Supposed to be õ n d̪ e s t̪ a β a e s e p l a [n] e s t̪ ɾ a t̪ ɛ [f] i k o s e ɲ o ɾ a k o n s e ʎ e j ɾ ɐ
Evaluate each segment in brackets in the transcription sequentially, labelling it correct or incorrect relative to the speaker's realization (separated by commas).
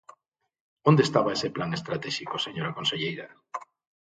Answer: incorrect, incorrect